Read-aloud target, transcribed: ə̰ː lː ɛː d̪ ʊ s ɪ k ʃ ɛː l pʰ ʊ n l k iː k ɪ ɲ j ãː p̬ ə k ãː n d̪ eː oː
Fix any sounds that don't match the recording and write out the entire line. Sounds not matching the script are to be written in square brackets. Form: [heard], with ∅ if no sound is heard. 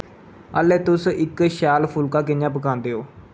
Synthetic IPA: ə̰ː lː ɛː [t̪] ʊ s ɪ k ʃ [aː] l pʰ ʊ [∅] l k [aː] k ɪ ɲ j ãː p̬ ə k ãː n d̪ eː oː